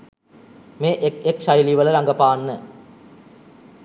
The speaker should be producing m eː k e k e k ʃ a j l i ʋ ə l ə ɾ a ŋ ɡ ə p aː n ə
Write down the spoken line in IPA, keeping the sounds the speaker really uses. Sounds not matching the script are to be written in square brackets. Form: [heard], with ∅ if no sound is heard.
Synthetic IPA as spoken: m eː [ʔ] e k e k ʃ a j l i ʋ ə l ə ɾ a ŋ ɡ ə p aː [nː] ə